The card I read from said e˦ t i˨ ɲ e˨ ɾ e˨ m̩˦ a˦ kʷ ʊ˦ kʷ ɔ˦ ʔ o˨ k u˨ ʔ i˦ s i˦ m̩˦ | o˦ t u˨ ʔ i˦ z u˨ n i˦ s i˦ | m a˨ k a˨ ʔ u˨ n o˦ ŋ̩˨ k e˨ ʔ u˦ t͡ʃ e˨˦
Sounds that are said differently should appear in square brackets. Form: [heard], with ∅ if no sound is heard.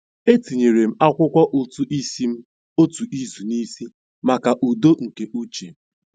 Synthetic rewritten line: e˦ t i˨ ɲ e˨ ɾ e˨ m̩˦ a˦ kʷ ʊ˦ kʷ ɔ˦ ʔ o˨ [t] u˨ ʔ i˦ s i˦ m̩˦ | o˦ t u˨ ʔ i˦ z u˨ n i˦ s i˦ | m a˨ k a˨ ʔ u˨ [d] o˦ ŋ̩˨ k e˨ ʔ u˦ t͡ʃ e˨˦